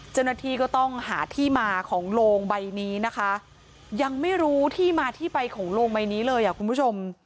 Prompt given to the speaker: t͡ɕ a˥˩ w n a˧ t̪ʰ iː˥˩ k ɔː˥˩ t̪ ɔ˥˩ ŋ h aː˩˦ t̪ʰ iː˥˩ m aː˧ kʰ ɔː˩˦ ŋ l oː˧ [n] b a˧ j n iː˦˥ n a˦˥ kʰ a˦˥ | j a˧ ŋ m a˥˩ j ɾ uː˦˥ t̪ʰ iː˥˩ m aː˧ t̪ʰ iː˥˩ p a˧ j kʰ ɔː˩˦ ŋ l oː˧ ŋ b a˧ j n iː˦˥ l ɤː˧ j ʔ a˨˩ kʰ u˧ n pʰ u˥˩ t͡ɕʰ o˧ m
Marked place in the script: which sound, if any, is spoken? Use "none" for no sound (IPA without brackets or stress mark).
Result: ŋ